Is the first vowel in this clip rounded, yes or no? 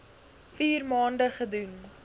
no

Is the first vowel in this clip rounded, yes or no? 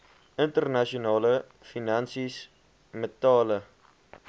no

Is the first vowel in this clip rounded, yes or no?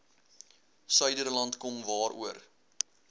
yes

